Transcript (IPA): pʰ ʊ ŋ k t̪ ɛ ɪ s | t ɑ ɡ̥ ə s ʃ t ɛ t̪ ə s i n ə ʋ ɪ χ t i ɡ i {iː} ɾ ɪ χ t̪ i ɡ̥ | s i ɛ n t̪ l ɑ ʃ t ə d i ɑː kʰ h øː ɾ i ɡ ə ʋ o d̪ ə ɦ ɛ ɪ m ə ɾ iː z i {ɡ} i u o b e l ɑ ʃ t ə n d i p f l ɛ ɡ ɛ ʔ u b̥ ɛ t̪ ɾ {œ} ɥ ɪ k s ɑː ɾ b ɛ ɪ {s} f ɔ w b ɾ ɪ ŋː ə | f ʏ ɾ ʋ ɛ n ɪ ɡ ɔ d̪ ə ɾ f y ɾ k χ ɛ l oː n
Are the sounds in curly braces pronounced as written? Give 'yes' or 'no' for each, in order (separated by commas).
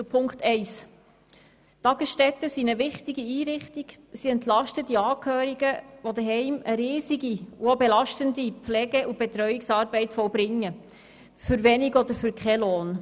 yes, yes, yes, no